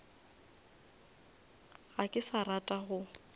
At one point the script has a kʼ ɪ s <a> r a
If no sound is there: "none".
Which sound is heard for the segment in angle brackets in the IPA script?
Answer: a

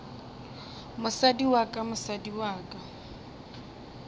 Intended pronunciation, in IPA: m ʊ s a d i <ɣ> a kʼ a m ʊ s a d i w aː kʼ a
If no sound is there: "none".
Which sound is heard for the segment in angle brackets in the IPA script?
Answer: w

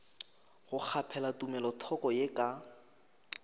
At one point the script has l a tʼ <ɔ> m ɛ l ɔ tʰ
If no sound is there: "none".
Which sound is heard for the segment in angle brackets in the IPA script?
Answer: u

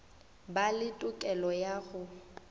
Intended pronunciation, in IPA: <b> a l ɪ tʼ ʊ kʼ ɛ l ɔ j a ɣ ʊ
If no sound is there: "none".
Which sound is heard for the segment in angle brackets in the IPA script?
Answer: b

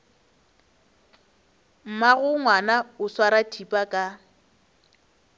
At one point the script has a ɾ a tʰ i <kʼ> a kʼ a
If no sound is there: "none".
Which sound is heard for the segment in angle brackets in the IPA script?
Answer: pʼ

